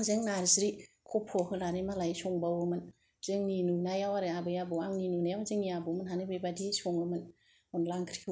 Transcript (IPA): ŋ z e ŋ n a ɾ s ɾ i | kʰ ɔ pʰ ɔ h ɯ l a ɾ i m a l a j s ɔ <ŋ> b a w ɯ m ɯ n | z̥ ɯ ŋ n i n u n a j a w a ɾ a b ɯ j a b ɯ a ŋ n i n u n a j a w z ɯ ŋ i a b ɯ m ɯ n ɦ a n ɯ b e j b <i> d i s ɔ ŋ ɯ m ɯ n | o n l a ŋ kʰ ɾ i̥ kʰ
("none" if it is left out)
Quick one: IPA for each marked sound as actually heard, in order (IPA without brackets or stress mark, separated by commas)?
ŋ, a